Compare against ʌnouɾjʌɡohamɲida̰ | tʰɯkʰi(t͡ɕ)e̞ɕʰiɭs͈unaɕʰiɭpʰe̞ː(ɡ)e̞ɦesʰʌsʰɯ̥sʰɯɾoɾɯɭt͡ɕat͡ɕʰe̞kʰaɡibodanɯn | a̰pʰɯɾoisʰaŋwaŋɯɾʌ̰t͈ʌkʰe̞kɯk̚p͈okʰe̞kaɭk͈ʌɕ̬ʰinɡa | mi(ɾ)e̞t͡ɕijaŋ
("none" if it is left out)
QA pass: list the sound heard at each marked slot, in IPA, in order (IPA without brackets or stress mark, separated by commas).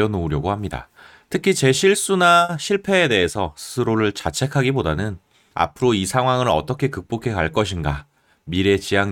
t͡ɕ, d, ɾ